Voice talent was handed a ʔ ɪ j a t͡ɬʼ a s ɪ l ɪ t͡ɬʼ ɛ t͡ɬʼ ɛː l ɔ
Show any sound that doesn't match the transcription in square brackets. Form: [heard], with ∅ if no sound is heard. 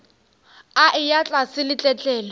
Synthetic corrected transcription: a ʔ ɪ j a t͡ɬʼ a s ɪ l ɪ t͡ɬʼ ɛ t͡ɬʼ ɛː l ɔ